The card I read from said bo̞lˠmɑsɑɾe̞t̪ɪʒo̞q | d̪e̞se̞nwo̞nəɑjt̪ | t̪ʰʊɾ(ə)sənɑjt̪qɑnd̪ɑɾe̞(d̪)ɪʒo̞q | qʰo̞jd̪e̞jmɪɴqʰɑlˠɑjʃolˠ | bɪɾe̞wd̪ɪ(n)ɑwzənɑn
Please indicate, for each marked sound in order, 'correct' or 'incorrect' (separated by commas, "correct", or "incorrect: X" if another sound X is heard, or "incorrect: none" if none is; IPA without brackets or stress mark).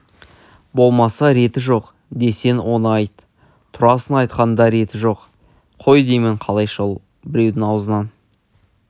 incorrect: ɑ, incorrect: t̪, incorrect: ŋ